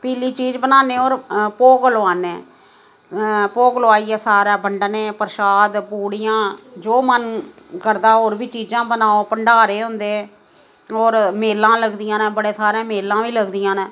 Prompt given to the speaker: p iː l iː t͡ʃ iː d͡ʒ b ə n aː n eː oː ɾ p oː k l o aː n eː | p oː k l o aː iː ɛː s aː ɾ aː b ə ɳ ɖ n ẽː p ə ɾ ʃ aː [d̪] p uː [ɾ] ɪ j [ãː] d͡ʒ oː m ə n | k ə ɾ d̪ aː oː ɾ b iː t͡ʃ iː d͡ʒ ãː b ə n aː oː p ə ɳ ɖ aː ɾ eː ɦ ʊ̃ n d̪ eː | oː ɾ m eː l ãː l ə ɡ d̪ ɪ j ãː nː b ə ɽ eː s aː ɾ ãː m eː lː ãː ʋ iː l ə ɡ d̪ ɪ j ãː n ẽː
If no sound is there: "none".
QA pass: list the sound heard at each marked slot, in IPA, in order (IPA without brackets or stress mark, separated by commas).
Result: d̪, ɽ, ãː